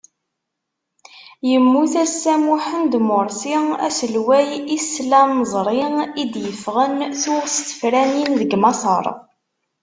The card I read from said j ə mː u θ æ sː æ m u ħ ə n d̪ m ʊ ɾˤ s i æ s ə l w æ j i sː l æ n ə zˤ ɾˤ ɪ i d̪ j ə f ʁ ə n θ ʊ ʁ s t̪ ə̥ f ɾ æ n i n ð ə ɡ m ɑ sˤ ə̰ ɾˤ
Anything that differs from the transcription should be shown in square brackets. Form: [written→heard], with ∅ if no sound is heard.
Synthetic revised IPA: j ə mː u θ æ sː æ m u ħ ə n d̪ m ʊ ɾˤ s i æ s ə l w æ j i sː l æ n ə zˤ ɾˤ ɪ i d̪ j ə f ʁ ə n θ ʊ ʁ s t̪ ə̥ f ɾ æ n i n ð ə ɡ m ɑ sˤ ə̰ ɾˤ